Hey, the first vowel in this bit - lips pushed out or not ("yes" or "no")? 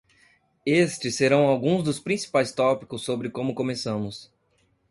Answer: no